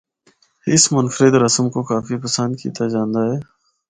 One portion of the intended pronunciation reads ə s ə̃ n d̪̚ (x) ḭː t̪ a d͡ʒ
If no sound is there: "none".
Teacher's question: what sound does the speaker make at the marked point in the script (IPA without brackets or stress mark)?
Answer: k